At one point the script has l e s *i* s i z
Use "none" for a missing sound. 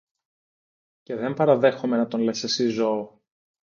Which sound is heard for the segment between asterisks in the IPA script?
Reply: e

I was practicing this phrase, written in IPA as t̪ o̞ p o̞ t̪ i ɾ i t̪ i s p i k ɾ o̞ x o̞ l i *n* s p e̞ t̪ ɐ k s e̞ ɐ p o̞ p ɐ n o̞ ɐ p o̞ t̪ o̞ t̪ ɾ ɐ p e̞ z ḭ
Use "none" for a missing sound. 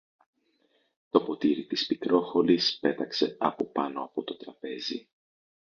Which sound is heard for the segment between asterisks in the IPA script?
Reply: none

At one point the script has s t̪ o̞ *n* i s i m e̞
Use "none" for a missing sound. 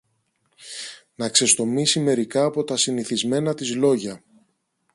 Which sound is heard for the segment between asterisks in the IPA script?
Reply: m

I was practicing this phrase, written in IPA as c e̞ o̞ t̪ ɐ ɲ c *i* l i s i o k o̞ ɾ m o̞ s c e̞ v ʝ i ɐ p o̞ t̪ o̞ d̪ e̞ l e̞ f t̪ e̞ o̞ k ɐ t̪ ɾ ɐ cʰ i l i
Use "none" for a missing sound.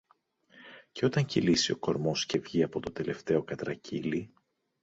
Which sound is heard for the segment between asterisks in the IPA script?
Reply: i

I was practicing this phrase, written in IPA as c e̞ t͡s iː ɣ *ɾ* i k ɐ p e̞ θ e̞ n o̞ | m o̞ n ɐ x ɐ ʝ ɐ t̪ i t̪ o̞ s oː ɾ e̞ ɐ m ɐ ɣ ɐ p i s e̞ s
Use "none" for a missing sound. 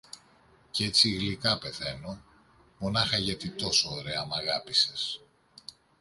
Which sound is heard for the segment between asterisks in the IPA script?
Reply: l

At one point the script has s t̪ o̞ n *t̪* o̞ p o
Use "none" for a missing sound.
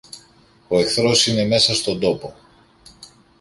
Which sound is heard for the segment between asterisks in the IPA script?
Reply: d̪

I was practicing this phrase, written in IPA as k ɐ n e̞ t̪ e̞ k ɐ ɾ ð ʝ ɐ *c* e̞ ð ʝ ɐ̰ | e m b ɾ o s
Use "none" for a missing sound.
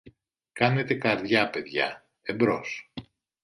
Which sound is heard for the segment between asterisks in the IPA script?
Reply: p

